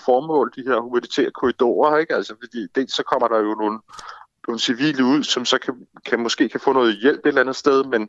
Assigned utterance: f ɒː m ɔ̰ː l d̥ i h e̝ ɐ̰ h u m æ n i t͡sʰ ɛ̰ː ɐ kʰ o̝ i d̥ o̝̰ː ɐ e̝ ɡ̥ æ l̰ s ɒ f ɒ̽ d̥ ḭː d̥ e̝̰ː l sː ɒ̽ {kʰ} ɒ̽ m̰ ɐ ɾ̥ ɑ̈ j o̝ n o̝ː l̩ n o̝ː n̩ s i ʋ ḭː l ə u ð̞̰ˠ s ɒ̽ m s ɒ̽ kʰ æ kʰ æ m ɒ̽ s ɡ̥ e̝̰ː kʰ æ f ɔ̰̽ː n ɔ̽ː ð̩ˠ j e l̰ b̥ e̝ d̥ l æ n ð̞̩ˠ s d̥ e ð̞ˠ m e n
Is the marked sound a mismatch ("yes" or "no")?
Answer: no